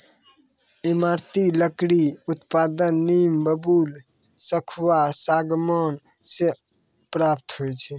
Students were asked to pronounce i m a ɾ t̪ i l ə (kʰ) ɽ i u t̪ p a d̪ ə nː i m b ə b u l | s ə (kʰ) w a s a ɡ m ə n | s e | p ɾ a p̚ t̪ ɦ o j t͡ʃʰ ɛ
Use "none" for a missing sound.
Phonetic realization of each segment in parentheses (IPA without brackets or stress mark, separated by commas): k, kʰ